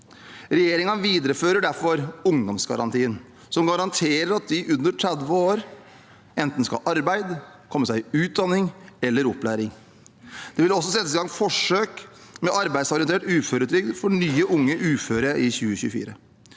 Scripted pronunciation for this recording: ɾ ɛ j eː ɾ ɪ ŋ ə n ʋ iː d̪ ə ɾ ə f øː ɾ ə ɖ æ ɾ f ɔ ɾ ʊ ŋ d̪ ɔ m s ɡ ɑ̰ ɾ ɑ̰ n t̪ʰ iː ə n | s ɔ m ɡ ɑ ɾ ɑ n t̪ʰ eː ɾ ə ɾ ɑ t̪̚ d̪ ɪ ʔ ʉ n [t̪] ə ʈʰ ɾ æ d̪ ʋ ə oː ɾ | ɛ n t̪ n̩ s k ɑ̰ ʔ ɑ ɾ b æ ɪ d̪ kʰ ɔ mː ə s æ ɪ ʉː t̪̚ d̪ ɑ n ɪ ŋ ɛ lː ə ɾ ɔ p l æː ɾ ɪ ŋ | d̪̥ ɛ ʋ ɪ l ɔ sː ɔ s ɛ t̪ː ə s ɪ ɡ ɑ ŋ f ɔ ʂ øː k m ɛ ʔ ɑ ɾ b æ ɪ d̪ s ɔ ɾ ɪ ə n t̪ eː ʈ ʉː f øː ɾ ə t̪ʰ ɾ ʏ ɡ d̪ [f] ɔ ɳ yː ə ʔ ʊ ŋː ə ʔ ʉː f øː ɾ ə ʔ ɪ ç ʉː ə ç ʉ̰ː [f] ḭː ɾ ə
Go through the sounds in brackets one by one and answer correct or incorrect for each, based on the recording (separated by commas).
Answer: incorrect, correct, correct